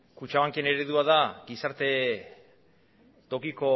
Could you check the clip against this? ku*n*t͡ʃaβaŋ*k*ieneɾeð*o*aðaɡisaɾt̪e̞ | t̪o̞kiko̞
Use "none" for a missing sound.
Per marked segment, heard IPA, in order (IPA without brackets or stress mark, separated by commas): none, k, u